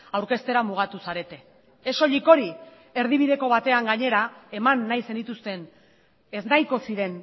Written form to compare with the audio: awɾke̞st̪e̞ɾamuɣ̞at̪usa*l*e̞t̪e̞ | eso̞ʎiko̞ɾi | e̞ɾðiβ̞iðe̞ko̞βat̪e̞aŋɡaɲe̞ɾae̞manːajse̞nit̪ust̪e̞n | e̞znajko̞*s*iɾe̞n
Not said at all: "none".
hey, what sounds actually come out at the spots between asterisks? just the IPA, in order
ɾ, s

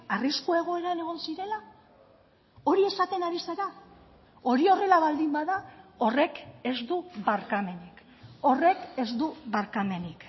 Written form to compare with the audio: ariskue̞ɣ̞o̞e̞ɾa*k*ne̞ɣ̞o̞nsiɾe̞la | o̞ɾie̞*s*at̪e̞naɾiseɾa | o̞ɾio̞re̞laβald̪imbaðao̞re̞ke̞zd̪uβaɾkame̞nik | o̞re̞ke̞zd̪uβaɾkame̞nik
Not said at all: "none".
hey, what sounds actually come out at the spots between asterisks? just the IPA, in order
none, s

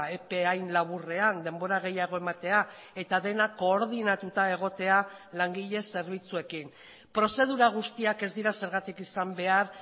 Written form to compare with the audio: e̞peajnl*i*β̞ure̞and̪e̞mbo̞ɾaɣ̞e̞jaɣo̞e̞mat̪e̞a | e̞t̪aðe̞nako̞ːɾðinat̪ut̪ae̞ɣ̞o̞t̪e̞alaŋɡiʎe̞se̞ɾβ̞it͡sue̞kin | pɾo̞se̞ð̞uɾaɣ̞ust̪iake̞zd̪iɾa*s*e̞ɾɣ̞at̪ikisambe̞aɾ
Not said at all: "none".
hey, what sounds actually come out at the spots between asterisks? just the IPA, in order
a, s

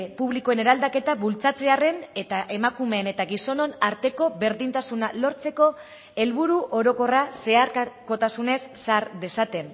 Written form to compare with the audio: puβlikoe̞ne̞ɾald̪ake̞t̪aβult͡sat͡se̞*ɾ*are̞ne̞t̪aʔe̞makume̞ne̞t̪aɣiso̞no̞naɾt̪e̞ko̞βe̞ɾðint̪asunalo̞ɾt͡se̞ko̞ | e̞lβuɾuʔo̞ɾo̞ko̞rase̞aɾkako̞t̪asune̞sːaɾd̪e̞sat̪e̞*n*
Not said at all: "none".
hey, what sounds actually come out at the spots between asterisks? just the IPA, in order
none, n

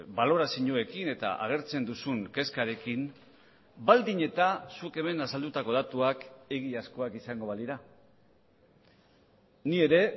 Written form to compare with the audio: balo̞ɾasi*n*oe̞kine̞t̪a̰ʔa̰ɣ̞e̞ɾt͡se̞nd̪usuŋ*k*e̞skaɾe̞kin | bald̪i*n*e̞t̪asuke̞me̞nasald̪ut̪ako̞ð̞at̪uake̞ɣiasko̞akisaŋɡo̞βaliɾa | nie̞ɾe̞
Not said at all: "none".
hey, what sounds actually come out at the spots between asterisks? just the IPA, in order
ɲ, k, ɲ

